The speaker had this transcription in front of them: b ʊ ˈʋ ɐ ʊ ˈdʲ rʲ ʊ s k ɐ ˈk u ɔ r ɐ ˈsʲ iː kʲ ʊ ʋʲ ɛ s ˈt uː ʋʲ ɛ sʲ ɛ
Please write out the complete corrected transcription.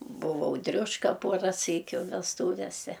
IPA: b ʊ ˈʋ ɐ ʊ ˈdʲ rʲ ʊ ʃ k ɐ ˈp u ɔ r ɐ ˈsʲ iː kʲ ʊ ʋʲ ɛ s ˈt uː ʋʲ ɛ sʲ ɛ